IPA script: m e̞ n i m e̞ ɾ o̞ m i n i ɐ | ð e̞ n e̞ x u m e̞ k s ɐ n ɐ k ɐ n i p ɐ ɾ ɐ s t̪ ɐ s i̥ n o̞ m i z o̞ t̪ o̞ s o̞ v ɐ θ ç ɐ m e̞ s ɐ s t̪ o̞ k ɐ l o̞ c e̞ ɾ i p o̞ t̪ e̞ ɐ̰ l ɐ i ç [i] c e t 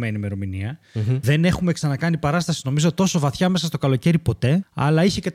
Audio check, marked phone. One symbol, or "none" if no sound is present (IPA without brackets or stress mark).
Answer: e